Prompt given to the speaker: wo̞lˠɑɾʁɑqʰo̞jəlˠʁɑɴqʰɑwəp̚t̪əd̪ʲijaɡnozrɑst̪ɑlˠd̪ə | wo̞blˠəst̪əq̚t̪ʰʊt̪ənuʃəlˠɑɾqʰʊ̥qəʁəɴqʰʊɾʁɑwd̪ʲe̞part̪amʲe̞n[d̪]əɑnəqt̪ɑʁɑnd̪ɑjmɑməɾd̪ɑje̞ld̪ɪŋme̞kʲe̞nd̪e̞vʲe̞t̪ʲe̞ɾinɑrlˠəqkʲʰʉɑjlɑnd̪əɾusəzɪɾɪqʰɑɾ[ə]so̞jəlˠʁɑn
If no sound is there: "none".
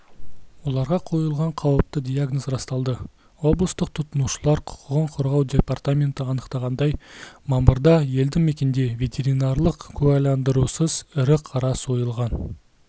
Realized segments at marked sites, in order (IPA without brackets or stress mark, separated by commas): t̪, ɑ